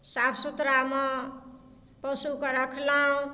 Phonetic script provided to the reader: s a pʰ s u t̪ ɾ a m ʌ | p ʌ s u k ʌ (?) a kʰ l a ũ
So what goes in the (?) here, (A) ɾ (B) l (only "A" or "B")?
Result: A